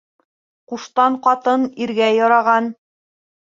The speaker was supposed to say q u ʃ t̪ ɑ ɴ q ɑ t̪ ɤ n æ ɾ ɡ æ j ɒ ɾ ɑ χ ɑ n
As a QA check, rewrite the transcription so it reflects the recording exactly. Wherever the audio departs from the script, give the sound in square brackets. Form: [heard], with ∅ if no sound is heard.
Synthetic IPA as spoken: q u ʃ t̪ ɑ ɴ q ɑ t̪ ɤ n [i] ɾ ɡ æ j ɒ ɾ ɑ [ʁ] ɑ n

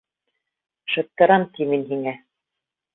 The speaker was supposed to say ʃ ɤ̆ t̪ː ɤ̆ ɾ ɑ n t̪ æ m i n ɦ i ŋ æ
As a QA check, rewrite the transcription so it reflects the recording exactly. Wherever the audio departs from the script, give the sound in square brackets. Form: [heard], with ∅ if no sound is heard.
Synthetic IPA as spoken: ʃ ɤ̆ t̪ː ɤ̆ ɾ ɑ [m] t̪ [i] m i n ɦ i ŋ æ

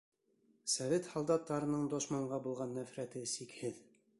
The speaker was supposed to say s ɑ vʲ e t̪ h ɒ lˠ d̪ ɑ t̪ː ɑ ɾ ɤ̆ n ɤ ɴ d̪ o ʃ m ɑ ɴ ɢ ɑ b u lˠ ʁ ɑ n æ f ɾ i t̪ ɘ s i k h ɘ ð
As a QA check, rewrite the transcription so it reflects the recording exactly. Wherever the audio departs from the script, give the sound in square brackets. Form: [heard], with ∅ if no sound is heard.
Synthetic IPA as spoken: s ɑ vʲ e t̪ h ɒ lˠ d̪ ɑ t̪ː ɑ ɾ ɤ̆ n ɤ ɴ d̪ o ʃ m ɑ ɴ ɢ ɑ b u lˠ ʁ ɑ [nː] æ f ɾ [æ] t̪ ɘ s i k h ɘ ð

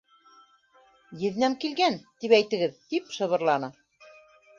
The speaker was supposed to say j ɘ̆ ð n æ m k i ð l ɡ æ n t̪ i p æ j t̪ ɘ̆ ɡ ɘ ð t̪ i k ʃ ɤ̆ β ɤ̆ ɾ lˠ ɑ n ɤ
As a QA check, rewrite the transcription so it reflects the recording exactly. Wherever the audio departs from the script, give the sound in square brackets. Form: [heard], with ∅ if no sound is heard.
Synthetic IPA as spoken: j ɘ̆ ð n æ m k i [∅] l ɡ æ n t̪ i p æ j t̪ ɘ̆ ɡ ɘ ð t̪ i [p] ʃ ɤ̆ β ɤ̆ ɾ lˠ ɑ n ɤ

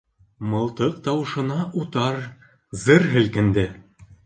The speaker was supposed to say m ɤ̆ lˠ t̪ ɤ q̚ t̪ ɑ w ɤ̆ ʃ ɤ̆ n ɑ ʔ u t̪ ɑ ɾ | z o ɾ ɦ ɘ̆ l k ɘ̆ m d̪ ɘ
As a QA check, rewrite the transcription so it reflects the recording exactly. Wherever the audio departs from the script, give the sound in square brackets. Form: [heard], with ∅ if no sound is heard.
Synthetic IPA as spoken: m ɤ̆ lˠ t̪ ɤ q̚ t̪ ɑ w ɤ̆ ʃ ɤ̆ n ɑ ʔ u t̪ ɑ ɾ | z [ɤ] ɾ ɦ ɘ̆ l k ɘ̆ [n] d̪ ɘ

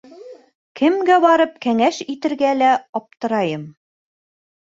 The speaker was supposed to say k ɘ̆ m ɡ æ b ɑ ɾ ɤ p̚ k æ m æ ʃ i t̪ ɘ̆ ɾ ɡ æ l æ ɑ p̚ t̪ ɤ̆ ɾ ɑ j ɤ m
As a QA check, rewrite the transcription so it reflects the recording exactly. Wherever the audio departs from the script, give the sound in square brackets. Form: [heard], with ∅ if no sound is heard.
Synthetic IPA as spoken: k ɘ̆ m ɡ æ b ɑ ɾ ɤ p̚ k æ [ŋ] æ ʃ i t̪ ɘ̆ ɾ ɡ æ l æ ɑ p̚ t̪ ɤ̆ ɾ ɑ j ɤ m

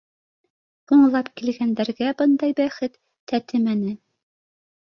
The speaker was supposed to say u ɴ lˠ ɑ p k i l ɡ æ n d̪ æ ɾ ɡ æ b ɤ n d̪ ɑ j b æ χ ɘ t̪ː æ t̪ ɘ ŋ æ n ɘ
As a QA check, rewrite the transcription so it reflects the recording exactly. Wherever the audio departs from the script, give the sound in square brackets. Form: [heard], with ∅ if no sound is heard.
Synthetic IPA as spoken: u ɴ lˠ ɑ p k i l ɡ æ n d̪ æ ɾ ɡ æ b ɤ n d̪ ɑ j b æ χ ɘ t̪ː æ t̪ ɘ [m] æ n ɘ

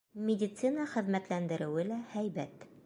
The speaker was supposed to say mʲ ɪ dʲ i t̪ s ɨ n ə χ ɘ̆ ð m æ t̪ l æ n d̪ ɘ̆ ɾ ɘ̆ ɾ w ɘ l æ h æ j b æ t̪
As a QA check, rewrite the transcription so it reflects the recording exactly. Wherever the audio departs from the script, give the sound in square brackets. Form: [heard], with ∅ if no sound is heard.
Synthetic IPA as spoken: mʲ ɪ dʲ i t̪ s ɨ n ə χ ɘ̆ ð m æ t̪ l æ n d̪ ɘ̆ ɾ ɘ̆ [∅] w ɘ l æ h æ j b æ t̪

